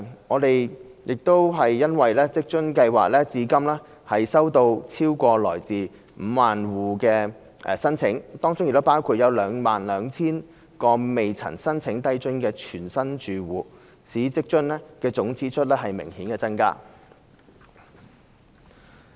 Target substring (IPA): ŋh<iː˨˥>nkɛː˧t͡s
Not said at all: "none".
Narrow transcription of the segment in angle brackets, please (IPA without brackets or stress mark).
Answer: iː˨˥